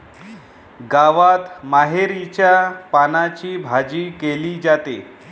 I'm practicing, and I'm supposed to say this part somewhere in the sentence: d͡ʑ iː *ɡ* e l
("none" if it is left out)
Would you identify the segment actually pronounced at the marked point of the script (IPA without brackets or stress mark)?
k